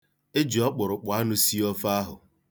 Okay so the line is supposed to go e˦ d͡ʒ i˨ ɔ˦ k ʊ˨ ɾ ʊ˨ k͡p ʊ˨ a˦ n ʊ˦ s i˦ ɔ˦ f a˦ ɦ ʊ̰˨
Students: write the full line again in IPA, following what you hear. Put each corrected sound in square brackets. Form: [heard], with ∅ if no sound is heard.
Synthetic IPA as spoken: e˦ d͡ʒ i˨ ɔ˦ [k͡p] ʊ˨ ɾ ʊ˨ k͡p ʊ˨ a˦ n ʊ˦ s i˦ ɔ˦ f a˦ ɦ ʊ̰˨